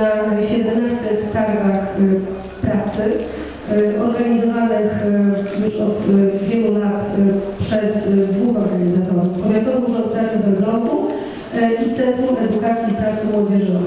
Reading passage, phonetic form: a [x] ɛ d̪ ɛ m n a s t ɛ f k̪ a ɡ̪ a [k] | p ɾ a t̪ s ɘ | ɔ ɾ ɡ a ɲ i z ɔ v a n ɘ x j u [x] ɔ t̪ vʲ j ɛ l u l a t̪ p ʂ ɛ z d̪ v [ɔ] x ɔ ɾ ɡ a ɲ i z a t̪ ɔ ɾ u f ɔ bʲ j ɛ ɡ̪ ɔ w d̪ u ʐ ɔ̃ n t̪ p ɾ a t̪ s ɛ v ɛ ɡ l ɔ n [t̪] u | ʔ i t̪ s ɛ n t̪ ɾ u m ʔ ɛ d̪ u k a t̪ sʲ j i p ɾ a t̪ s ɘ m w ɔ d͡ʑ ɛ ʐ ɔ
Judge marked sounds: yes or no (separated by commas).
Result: no, no, no, no, no